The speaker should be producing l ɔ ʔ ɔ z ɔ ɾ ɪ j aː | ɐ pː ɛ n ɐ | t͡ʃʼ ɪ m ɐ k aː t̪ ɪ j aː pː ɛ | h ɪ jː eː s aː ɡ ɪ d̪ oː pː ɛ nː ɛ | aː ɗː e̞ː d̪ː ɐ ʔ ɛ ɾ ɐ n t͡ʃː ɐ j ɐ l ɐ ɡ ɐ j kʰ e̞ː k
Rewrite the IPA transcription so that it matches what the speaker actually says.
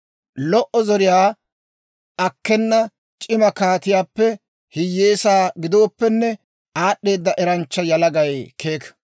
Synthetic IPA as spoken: l ɔ ʔ ɔ z ɔ ɾ ɪ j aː | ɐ kː ɛ nː ɐ | t͡ʃʼ ɪ m ɐ k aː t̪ ɪ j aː pː ɛ | h ɪ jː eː s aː ɡ ɪ d̪ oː pː ɛ nː ɛ | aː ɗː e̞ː d̪ː ɐ ʔ ɛ ɾ ɐ n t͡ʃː ɐ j ɐ l ɐ ɡ ɐ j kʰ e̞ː k

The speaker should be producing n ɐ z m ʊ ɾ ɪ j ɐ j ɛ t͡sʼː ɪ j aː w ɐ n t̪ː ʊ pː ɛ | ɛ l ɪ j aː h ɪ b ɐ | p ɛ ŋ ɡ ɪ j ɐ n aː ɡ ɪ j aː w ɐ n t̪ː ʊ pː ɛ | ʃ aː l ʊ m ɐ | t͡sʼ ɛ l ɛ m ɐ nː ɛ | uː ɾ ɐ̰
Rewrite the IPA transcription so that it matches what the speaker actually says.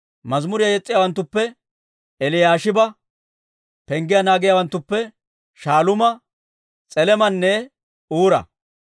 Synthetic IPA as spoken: m ɐ z m ʊ ɾ ɪ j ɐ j ɛ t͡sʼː ɪ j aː w ɐ n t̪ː ʊ pː ɛ | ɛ l ɪ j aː ʃ ɪ b ɐ | p ɛ ŋ ɡ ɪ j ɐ n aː ɡ ɪ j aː w ɐ n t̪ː ʊ pː ɛ | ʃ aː l ʊ m ɐ | t͡sʼ ɛ l ɛ m ɐ nː ɛ | uː ɾ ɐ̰

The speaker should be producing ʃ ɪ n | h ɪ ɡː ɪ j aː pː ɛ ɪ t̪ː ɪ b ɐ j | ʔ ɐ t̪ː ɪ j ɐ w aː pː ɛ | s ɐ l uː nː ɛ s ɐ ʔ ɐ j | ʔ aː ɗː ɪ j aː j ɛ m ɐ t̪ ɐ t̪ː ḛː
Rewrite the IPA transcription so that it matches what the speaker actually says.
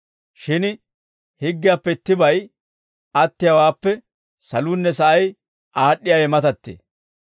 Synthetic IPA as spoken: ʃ ɪ n | h ɪ ɡː ɪ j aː pː ɛ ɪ t̪ː ɪ b ɐ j | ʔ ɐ t̪ː ɪ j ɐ w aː pː ɛ | s ɐ l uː nː ɛ s ɐ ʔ ɐ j | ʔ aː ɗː ɪ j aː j ɛ m ɐ t̪ ɐ t̪ː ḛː

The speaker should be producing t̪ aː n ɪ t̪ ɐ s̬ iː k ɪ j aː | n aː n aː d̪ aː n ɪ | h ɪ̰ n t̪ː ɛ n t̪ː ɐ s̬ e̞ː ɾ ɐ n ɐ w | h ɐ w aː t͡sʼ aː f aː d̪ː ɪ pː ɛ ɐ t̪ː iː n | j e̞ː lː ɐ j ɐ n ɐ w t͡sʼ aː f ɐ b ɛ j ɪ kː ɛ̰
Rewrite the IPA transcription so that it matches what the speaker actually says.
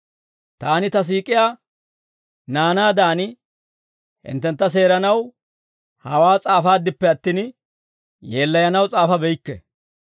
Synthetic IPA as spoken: t̪ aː n ɪ t̪ ɐ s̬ iː kʼ ɪ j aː | n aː n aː d̪ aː n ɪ | h ɪ̰ n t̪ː ɛ n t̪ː ɐ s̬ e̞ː ɾ ɐ n ɐ w | h ɐ w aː t͡sʼ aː f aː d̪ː ɪ pː ɛ ɐ t̪ː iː n | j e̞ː lː ɐ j ɐ n ɐ w t͡sʼ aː f ɐ b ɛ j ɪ kː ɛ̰

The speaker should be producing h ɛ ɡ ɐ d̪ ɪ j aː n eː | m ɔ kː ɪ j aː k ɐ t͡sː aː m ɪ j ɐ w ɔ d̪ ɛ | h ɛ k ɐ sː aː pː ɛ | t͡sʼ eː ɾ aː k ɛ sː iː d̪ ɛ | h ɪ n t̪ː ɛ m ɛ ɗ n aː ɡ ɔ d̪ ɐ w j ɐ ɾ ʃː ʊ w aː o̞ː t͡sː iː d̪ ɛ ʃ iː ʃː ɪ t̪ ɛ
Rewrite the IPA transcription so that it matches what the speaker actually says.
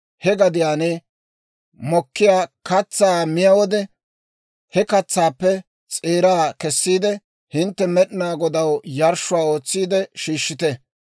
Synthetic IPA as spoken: h ɛ ɡ ɐ d̪ ɪ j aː n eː | m ɔ kː ɪ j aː k ɐ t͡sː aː m ɪ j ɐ w ɔ d̪ ɛ | h ɛ k ɐ t͡sː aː pː ɛ | t͡sʼ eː ɾ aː k ɛ sː iː d̪ ɛ | h ɪ n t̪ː ɛ m ɛ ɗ n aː ɡ ɔ d̪ ɐ w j ɐ ɾ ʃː ʊ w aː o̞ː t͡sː iː d̪ ɛ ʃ iː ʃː ɪ t̪ ɛ

